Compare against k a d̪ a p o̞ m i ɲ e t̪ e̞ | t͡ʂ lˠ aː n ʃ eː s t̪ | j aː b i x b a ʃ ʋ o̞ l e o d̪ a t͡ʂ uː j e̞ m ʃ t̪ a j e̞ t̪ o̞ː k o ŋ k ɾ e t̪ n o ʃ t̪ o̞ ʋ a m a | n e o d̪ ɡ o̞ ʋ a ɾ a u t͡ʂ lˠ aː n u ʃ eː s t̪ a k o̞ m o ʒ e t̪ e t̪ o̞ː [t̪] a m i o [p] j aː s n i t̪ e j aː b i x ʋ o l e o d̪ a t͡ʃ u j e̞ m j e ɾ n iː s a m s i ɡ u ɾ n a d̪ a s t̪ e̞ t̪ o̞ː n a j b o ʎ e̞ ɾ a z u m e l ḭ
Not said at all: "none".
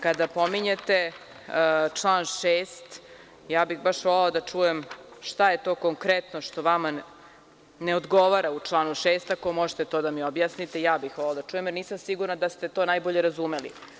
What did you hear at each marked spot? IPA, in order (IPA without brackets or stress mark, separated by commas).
d̪, b